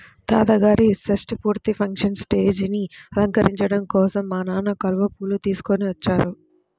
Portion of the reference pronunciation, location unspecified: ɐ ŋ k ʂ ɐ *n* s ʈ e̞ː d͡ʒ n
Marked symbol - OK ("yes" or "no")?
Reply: yes